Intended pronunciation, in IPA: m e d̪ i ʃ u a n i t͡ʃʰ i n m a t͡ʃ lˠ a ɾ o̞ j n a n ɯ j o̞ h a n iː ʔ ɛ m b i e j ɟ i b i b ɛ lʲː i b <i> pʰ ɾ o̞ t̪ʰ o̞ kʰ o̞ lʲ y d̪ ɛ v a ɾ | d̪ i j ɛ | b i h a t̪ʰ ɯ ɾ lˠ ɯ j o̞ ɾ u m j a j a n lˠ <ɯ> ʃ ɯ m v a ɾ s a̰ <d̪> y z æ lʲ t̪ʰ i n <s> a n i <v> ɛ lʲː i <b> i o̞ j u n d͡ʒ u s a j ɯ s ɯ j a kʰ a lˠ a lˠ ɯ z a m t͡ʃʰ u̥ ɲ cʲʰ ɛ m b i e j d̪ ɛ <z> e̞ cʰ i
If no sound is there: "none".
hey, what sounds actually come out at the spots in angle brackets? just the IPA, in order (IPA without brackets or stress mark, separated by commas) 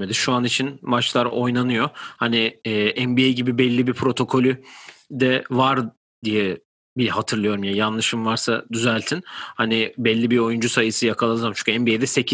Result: i, ɯ, d̪, h, b, b, s